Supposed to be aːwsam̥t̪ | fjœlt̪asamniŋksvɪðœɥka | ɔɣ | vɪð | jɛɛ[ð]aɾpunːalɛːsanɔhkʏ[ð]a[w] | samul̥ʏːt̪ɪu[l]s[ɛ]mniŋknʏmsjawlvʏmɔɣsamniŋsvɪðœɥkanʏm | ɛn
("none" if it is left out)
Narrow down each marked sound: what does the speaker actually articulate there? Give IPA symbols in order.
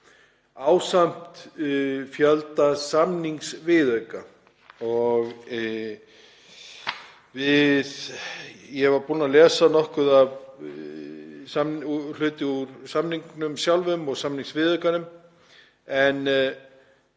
v, ð, v, ɾ, a

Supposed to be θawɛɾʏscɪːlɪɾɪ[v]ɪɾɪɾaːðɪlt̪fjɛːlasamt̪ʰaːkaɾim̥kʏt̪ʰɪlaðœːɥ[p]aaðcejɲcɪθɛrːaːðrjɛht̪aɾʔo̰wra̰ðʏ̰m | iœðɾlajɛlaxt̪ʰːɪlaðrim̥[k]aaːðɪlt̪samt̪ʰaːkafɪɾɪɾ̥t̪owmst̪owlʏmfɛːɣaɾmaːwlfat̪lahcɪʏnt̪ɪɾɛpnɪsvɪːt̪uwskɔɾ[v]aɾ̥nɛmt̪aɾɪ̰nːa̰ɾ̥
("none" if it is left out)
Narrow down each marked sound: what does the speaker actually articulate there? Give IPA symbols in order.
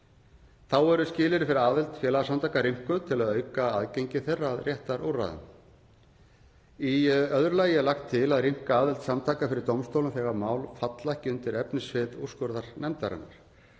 f, k, k, ð

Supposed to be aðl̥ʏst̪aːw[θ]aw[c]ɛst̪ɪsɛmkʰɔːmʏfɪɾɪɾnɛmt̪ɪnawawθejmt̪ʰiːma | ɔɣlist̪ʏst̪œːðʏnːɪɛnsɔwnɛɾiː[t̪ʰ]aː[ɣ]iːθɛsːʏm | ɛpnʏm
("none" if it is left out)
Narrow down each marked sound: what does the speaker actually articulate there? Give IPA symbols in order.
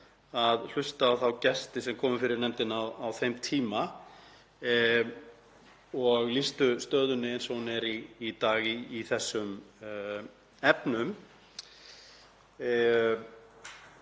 θ, c, t̪, ɣ

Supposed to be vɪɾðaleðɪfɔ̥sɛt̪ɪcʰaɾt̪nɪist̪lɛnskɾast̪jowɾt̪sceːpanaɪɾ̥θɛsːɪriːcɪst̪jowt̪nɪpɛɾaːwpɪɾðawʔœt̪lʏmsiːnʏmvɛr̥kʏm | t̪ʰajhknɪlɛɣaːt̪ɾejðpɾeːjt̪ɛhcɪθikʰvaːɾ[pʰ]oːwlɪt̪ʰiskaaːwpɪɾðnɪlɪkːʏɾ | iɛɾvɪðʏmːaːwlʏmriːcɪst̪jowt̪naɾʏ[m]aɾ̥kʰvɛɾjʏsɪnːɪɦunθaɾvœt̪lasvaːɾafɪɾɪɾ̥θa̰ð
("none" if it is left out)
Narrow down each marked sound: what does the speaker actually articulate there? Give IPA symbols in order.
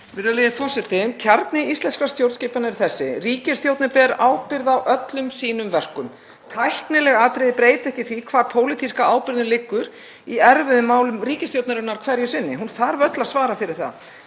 pʰ, n

